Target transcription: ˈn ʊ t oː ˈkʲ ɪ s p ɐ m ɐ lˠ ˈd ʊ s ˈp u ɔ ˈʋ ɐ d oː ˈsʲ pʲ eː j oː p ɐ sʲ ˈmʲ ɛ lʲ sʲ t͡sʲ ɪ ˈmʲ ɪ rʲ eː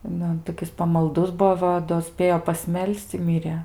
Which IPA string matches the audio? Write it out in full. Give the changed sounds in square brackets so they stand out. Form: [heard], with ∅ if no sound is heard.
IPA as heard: ˈn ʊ t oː ˈkʲ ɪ s p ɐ m ɐ lˠ ˈd ʊ s [ˈb] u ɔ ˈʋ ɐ d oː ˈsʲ pʲ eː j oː p ɐ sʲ ˈmʲ ɛ lʲ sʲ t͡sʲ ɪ ˈmʲ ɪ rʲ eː

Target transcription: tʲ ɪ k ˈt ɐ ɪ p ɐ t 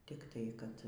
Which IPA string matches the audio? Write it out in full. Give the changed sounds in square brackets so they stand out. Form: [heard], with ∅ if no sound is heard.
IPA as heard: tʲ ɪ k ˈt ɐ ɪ [k] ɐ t

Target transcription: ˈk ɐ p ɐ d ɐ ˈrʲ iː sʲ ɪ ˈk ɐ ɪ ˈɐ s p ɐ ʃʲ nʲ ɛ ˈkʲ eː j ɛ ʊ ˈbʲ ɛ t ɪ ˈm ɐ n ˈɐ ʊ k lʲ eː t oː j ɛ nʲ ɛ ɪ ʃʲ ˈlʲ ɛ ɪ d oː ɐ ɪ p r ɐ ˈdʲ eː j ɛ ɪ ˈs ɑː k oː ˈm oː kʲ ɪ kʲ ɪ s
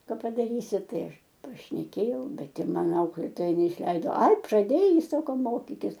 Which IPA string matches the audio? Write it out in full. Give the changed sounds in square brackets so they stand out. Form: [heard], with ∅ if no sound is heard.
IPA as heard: ˈk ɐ p ɐ d ɐ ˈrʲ iː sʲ ɪ [ˈt] ɐ ɪ ˈɐ [ʃ] p ɐ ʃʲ nʲ ɛ ˈkʲ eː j ɛ ʊ ˈbʲ ɛ t ɪ ˈm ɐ n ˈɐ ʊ k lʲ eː t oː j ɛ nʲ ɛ ɪ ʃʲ ˈlʲ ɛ ɪ d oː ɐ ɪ p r ɐ ˈdʲ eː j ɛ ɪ ˈs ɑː k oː ˈm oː kʲ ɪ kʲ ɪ s

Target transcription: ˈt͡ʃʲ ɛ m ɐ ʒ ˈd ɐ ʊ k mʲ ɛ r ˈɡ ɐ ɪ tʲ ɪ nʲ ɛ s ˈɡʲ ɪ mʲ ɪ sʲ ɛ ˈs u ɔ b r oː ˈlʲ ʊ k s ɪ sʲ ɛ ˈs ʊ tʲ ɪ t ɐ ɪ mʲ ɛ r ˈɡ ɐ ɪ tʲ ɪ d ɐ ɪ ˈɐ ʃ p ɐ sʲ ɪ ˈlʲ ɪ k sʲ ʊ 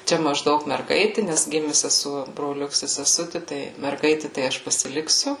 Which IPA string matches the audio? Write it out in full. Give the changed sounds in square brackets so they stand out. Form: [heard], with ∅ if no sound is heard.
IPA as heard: ˈt͡ʃʲ ɛ m ɐ ʒ ˈd ɐ ʊ k mʲ ɛ r ˈɡ ɐ ɪ tʲ ɪ nʲ ɛ s ˈɡʲ ɪ mʲ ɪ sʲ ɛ ˈs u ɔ b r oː ˈlʲ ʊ k s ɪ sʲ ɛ ˈs ʊ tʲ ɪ t ɐ ɪ mʲ ɛ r ˈɡ ɐ ɪ tʲ ɪ [t] ɐ ɪ ˈɐ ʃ p ɐ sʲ ɪ ˈlʲ ɪ k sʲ ʊ

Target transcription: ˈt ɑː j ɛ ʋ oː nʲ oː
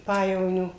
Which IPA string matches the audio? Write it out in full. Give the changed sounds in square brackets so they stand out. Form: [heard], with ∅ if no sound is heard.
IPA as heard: [ˈp] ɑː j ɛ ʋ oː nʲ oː

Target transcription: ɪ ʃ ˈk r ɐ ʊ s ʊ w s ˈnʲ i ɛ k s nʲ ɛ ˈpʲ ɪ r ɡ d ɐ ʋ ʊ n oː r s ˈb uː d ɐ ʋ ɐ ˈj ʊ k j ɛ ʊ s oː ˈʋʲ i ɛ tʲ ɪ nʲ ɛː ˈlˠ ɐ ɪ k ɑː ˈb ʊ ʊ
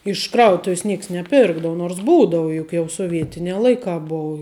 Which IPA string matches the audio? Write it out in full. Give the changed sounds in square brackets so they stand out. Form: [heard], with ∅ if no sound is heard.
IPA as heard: ɪ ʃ ˈk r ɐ ʊ [t] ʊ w s ˈnʲ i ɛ k s nʲ ɛ ˈpʲ ɪ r ɡ d ɐ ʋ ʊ n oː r s ˈb uː d ɐ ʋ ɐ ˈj ʊ k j ɛ ʊ s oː ˈʋʲ i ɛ tʲ ɪ nʲ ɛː ˈlˠ ɐ ɪ k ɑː ˈb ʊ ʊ

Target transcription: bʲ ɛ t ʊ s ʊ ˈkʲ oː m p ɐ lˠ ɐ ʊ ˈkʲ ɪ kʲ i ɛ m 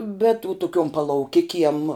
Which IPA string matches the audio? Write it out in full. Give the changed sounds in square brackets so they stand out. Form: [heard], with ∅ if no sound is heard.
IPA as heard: bʲ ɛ t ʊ [t] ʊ ˈkʲ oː m p ɐ lˠ ɐ ʊ ˈkʲ ɪ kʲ i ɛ m

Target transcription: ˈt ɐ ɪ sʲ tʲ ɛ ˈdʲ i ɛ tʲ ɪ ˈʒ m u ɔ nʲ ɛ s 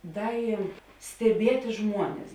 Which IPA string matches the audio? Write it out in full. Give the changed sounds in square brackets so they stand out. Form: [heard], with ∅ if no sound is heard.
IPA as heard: [ˈd] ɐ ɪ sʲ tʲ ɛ [ˈbʲ] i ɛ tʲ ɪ ˈʒ m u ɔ nʲ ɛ s

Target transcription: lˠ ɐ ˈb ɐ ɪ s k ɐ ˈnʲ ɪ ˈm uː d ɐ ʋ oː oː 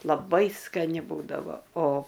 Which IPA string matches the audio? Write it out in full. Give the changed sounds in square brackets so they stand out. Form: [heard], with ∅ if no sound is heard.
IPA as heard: lˠ ɐ ˈb ɐ ɪ s k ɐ ˈnʲ ɪ [ˈb] uː d ɐ ʋ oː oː

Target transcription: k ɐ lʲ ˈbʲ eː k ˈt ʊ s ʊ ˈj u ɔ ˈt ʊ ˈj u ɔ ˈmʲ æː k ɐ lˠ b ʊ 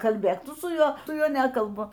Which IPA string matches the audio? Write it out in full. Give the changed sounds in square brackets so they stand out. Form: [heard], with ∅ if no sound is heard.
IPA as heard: k ɐ lʲ ˈbʲ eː k ˈt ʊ s ʊ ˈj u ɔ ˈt ʊ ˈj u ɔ [ˈnʲ] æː k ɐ lˠ b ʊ

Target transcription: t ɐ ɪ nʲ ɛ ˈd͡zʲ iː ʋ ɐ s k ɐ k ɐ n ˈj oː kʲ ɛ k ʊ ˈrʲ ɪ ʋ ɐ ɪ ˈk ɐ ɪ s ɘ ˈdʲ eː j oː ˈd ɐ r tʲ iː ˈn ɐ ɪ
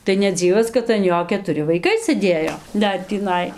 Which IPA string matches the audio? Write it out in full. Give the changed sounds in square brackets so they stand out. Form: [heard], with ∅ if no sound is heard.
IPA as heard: t ɐ ɪ nʲ ɛ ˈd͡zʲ iː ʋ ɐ s k ɐ [t] ɐ n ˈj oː kʲ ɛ [t] ʊ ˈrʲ ɪ ʋ ɐ ɪ ˈk ɐ ɪ s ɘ ˈdʲ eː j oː ˈd ɐ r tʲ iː ˈn ɐ ɪ

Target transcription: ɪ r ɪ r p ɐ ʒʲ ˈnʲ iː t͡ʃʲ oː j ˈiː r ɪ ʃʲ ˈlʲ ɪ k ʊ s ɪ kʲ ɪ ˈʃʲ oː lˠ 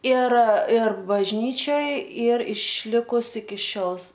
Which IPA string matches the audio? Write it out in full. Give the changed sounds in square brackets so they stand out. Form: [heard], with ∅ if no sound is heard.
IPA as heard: ɪ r ɪ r [b] ɐ ʒʲ ˈnʲ iː t͡ʃʲ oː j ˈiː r ɪ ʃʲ ˈlʲ ɪ k ʊ s ɪ kʲ ɪ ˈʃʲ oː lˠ

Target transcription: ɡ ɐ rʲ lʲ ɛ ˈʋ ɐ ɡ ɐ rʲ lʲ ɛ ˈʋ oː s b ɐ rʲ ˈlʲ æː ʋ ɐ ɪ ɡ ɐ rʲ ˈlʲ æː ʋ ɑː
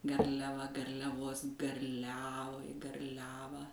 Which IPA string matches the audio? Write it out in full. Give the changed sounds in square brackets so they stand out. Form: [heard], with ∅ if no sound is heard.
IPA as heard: ɡ ɐ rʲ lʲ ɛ ˈʋ ɐ ɡ ɐ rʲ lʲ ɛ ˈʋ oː s [ɡ] ɐ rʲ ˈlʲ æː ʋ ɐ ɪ ɡ ɐ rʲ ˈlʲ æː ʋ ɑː

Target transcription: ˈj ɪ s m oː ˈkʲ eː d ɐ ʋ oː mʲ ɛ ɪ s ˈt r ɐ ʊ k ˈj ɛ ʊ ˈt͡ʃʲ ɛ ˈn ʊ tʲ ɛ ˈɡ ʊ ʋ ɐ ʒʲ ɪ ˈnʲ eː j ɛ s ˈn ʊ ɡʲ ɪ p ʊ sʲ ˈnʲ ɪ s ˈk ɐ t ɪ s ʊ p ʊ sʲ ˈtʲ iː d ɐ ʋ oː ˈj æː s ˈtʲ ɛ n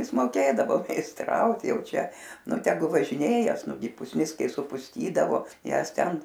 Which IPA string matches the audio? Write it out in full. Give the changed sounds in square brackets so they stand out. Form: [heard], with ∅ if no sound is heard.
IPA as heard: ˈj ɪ s m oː ˈkʲ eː d ɐ ʋ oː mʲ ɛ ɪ s ˈt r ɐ ʊ [t] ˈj ɛ ʊ ˈt͡ʃʲ ɛ ˈn ʊ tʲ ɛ ˈɡ ʊ ʋ ɐ ʒʲ ɪ ˈnʲ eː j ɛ s ˈn ʊ ɡʲ ɪ p ʊ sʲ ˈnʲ ɪ s ˈk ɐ [∅] ɪ s ʊ p ʊ sʲ ˈtʲ iː d ɐ ʋ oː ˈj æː s ˈtʲ ɛ n

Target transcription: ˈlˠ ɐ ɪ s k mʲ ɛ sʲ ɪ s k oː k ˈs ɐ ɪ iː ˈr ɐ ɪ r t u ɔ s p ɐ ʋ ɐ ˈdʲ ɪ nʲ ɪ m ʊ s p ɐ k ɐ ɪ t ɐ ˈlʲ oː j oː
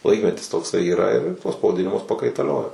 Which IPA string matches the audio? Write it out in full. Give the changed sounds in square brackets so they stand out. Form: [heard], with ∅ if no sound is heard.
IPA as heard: ˈlˠ ɐ ɪ [∅] k mʲ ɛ [tʲ] ɪ s [t] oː k ˈs ɐ ɪ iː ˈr ɐ ɪ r t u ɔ s p ɐ ʋ ɐ ˈdʲ ɪ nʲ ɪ m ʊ s p ɐ k ɐ ɪ t ɐ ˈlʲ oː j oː

